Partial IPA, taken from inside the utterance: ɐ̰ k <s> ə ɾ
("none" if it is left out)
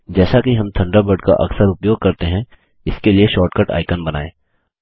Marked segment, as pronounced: s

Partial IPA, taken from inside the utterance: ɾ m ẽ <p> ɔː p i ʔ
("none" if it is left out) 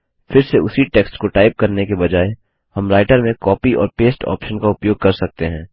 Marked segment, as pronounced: k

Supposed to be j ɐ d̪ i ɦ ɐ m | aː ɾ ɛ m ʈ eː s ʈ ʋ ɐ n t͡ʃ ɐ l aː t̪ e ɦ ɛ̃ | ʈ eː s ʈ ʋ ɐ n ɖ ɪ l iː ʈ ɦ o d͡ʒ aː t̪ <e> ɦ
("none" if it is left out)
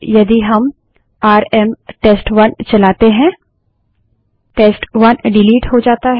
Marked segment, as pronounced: a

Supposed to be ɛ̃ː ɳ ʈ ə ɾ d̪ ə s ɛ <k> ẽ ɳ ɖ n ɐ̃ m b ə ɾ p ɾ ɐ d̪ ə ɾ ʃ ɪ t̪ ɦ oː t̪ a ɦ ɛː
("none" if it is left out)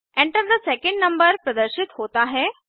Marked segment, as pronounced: k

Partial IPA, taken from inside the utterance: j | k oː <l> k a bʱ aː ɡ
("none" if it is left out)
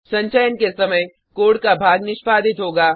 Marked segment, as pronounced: ɽ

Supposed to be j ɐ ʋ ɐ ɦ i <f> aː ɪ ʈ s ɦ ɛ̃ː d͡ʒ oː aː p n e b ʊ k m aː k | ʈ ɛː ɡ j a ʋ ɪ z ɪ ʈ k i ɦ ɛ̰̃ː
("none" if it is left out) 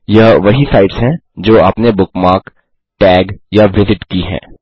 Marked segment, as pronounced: s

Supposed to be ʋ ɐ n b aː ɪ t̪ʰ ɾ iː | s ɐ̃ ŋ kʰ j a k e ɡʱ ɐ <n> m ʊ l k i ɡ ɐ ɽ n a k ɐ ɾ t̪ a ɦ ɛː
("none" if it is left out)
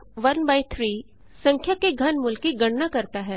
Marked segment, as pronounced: n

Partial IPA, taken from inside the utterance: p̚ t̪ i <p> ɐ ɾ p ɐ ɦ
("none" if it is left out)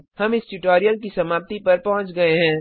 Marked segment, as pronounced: p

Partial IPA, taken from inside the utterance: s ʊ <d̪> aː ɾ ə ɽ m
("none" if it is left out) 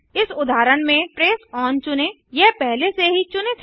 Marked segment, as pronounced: d̪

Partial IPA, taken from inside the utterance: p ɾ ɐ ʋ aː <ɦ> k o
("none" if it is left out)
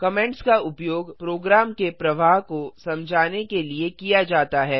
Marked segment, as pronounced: ɦ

